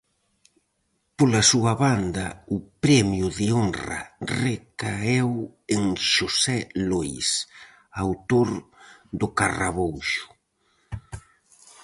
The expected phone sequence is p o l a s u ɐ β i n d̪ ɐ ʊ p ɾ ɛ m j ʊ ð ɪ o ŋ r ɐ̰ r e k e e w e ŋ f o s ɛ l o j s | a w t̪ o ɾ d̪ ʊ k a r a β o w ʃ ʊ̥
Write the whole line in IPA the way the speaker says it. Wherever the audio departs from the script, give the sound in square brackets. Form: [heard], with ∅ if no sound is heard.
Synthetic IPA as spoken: p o l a s u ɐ β [a] n d̪ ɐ ʊ p ɾ ɛ m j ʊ ð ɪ o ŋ r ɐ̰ r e k [a] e w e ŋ [ʃ] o s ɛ l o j s | a w t̪ o ɾ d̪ ʊ k a r a β o w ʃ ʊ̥